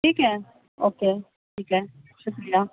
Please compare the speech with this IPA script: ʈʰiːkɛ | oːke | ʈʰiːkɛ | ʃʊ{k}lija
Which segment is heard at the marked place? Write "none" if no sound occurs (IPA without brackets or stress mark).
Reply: k